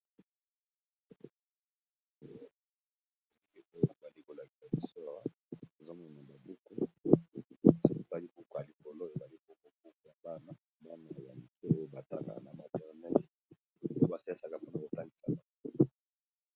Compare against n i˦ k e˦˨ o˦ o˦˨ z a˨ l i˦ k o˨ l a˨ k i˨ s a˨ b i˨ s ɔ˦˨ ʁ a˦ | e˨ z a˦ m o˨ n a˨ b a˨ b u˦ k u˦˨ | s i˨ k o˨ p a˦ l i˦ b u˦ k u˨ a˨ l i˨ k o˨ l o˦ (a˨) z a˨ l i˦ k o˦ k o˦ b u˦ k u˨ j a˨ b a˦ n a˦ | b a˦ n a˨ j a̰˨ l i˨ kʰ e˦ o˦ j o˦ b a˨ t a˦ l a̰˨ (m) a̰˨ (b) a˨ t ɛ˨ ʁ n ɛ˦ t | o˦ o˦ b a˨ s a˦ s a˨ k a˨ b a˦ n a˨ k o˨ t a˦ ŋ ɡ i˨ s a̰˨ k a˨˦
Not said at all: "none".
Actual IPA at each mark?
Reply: e˨, n, m

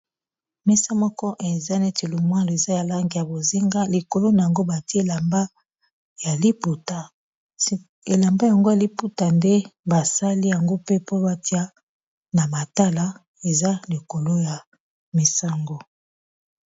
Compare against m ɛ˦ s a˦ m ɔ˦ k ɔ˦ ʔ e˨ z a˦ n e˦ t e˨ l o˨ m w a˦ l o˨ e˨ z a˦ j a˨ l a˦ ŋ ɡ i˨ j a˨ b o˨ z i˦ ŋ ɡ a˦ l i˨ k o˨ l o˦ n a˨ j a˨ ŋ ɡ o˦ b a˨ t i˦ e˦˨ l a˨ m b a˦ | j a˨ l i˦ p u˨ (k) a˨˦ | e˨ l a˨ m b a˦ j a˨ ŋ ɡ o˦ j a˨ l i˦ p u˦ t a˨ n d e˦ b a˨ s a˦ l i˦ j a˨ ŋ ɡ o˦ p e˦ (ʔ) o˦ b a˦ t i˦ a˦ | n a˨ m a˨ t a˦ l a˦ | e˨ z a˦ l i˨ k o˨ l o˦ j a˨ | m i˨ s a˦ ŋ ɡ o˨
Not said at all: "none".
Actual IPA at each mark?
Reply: t, p

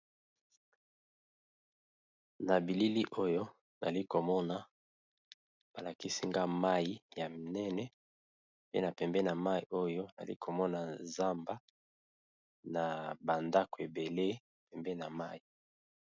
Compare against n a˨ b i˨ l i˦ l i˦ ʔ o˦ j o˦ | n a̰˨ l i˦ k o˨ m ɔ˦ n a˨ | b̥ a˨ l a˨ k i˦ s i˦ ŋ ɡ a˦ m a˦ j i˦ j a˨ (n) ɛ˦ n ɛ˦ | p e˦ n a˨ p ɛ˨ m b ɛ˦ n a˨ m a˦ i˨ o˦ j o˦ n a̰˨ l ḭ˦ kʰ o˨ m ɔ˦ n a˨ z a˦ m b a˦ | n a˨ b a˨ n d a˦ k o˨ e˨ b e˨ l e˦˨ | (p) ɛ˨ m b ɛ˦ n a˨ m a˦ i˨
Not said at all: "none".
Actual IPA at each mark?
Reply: n, p

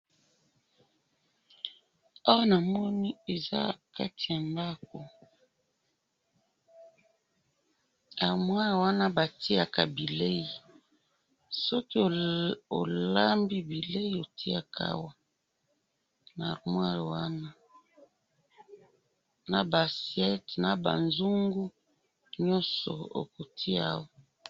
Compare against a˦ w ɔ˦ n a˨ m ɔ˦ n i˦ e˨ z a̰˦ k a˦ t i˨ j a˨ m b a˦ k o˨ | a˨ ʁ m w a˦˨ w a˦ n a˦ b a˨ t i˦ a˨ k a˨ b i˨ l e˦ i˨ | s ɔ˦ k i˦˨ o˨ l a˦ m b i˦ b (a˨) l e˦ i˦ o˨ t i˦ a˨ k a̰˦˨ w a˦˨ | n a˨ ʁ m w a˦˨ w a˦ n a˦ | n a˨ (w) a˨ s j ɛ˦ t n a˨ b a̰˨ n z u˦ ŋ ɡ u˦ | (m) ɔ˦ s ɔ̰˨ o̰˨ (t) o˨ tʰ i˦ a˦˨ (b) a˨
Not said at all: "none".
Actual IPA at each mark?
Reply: i˨, b, ɲ, k, w

